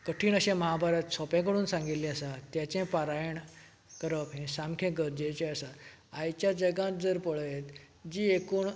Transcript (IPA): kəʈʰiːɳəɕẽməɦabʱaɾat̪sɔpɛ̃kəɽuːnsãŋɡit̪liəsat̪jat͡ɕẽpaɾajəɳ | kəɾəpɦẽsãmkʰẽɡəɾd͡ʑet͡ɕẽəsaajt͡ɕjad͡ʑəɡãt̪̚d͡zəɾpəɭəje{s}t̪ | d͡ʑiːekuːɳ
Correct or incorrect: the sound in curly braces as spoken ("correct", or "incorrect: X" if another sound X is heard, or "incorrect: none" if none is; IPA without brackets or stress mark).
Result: incorrect: none